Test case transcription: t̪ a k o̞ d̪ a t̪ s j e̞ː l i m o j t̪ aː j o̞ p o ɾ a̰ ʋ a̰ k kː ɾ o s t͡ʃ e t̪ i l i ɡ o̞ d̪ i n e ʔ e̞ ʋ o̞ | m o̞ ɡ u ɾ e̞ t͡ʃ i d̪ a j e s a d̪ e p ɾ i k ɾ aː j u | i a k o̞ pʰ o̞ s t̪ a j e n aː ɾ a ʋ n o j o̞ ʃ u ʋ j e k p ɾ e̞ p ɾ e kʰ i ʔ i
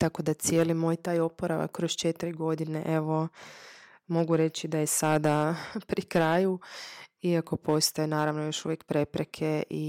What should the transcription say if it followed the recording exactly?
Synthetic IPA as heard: t̪ a k o̞ d̪ a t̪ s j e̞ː l i m o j t̪ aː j o̞ p o ɾ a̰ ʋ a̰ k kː ɾ o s t͡ʃ e t̪ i ɾ i ɡ o̞ d̪ i n e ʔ e̞ ʋ o̞ | m o̞ ɡ u ɾ e̞ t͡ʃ i d̪ a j e s a d̪ a p ɾ i k ɾ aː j u | i a k o̞ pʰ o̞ s t̪ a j e n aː ɾ a ʋ n o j o̞ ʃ u ʋ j e k p ɾ e̞ p ɾ e kʰ e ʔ i